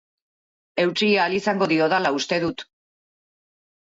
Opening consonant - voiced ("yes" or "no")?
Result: yes